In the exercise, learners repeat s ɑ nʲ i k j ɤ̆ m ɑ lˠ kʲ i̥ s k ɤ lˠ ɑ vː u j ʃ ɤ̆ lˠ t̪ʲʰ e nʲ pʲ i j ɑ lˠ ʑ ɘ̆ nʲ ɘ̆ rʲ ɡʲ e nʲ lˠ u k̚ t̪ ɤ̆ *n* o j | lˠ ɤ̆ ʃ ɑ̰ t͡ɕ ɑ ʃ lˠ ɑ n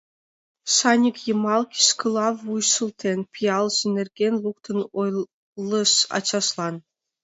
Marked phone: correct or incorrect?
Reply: correct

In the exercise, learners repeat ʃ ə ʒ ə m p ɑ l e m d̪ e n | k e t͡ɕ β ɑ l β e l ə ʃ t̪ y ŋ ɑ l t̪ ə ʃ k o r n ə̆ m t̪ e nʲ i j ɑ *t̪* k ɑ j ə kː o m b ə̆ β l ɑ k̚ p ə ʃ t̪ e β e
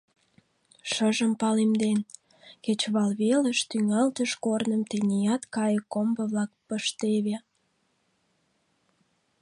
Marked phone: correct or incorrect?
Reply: correct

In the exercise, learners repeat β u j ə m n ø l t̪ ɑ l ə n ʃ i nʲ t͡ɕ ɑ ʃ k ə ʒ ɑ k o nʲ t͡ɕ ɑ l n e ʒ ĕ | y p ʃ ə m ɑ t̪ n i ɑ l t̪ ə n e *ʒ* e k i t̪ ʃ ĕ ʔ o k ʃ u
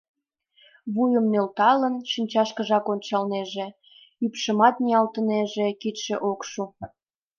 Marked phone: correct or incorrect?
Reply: correct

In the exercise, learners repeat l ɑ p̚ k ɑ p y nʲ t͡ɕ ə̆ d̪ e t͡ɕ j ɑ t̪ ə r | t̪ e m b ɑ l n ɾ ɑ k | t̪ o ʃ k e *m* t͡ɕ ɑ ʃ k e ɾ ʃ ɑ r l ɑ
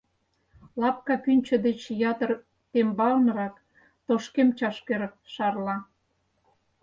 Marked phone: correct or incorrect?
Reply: correct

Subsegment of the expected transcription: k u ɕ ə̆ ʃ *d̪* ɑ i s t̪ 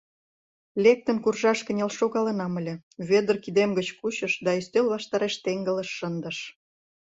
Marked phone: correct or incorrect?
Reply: correct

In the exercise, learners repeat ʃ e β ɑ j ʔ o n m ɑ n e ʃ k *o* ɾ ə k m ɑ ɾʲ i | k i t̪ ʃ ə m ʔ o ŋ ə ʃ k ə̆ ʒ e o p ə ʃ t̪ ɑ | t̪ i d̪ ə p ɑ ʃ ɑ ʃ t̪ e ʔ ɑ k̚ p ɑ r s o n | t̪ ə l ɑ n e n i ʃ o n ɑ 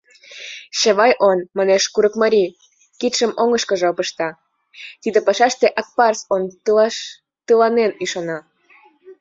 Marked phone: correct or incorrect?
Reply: incorrect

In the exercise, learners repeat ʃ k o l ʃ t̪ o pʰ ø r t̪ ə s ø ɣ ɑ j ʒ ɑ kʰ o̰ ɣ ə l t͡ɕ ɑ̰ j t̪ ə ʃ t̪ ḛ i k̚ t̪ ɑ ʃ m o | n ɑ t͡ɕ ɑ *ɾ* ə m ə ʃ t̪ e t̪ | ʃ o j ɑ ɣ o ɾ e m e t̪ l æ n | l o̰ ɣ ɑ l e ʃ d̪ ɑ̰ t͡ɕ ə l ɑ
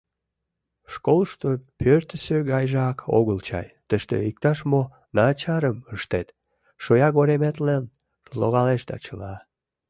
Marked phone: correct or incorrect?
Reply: correct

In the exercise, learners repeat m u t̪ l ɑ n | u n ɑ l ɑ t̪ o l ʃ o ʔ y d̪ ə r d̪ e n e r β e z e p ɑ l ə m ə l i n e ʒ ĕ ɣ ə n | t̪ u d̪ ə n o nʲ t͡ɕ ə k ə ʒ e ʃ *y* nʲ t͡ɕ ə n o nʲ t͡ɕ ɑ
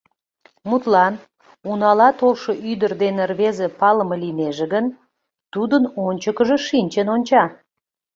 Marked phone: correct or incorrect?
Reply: incorrect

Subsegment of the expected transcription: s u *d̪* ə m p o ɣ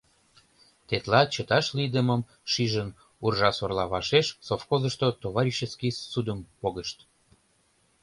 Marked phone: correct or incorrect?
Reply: correct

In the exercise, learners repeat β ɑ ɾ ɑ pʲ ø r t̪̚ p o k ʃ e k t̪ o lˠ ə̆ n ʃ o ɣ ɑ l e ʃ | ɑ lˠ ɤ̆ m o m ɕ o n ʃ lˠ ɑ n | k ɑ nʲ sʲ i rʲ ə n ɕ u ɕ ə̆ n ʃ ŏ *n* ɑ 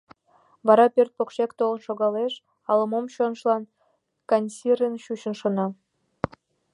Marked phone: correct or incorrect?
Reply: correct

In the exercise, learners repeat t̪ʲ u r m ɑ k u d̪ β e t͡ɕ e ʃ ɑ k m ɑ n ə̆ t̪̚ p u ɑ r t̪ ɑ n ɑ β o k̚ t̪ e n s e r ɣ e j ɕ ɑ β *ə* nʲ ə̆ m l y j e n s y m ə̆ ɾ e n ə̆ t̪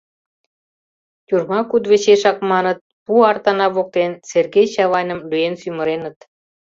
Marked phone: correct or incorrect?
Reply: incorrect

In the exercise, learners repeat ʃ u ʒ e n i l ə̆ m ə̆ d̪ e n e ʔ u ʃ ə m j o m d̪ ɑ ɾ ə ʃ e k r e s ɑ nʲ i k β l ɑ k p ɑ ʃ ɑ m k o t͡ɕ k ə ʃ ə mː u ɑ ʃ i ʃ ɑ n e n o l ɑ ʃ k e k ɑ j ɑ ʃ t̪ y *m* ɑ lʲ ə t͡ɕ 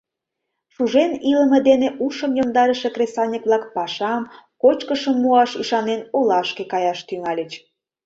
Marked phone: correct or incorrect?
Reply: incorrect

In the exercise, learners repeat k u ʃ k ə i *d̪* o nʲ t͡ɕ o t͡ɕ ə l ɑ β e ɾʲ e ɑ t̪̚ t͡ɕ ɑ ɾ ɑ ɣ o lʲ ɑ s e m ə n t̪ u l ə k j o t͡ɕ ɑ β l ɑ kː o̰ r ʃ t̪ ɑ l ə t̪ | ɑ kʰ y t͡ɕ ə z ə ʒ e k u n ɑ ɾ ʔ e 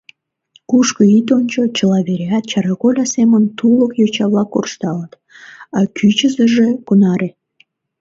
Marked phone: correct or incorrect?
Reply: incorrect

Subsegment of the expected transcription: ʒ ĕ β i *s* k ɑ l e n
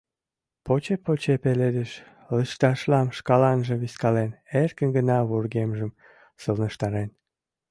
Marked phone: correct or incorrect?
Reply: correct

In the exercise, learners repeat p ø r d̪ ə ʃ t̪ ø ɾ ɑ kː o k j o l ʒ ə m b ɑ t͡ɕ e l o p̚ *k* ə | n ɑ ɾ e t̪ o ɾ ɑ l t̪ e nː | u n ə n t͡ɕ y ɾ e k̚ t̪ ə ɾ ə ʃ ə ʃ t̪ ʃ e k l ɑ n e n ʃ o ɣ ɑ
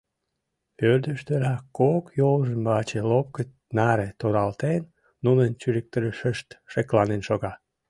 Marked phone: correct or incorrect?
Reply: correct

